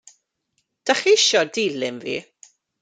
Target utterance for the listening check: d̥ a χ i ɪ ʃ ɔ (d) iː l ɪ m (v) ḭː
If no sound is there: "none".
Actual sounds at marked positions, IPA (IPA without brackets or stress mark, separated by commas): d, v